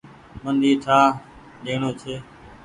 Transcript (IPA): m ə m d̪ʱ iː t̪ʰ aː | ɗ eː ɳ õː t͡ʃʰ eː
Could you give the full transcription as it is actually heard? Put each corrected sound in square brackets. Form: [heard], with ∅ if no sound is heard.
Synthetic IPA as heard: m ə [n] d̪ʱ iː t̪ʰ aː | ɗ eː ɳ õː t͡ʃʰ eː